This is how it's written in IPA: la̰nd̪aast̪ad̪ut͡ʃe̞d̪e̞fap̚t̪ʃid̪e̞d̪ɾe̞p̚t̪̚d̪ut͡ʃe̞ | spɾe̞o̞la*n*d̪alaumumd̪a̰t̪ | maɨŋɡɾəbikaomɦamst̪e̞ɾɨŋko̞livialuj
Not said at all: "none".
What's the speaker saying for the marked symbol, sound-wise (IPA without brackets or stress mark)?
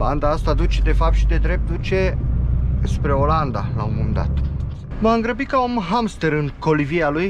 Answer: n